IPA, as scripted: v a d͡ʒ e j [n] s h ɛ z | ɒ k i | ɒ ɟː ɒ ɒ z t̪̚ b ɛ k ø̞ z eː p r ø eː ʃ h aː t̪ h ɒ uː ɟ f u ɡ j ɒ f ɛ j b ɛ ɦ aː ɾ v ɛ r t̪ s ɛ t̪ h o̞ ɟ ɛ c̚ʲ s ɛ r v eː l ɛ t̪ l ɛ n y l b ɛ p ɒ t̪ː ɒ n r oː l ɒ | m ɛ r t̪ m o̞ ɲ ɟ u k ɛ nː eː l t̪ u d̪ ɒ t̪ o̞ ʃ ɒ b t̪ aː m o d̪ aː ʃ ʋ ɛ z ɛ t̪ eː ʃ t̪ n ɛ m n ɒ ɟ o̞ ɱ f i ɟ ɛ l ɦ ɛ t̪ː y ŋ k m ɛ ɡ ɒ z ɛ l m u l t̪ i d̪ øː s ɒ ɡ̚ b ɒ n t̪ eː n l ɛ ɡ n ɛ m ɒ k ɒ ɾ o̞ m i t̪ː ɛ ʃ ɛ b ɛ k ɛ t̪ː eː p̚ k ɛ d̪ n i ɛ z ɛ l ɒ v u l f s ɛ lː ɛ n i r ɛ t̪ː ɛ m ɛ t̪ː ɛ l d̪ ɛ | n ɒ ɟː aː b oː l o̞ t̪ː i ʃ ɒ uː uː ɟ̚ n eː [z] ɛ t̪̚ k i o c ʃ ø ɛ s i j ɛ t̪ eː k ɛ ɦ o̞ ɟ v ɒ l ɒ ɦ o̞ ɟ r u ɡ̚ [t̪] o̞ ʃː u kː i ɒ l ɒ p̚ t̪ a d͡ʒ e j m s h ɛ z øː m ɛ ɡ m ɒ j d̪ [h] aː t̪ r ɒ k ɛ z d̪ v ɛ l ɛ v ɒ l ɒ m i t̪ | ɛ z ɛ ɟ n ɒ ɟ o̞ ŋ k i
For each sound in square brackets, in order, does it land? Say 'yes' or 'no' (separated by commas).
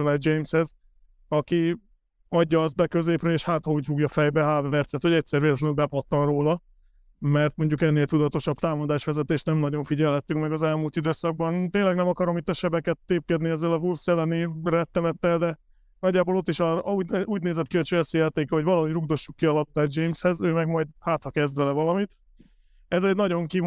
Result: no, yes, no, yes